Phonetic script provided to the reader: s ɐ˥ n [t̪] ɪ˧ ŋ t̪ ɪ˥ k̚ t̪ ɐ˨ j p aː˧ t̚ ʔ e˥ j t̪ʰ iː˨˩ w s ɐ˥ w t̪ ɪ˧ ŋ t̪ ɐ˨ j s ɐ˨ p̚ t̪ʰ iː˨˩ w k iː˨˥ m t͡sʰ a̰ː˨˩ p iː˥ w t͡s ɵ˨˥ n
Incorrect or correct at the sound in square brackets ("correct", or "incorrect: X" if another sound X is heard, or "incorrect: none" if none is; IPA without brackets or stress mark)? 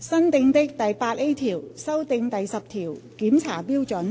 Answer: correct